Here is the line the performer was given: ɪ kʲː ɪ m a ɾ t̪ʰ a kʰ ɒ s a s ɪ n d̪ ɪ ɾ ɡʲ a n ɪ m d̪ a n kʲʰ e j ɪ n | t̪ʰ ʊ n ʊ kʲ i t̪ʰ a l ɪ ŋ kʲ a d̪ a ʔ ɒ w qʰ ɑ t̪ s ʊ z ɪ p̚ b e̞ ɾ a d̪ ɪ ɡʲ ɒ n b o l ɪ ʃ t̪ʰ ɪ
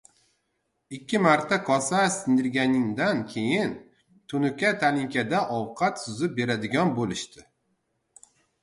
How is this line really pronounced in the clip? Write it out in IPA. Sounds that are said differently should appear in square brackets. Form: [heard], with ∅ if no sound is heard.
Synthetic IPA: ɪ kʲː ɪ m a ɾ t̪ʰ a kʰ ɒ s a s ɪ n d̪ ɪ ɾ ɡʲ a n ɪ [ŋ] d̪ a n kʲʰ e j ɪ n | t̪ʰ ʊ n ʊ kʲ [a] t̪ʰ a l ɪ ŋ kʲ a d̪ a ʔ ɒ w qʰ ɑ t̪ s ʊ z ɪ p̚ b e̞ ɾ a d̪ ɪ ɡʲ ɒ n b o l ɪ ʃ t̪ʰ ɪ